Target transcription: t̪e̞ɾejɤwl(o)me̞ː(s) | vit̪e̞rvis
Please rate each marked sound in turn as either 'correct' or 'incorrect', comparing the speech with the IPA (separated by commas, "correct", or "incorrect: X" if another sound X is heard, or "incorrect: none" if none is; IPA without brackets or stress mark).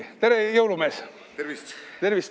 incorrect: u, correct